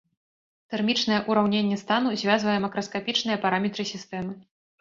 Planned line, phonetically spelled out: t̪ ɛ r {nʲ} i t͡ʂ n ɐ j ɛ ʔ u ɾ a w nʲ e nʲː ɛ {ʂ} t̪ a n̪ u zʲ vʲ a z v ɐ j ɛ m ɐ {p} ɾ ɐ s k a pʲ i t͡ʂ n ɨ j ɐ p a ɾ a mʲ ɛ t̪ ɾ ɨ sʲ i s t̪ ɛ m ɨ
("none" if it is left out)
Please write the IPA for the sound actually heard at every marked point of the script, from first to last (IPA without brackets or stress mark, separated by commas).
mʲ, s, k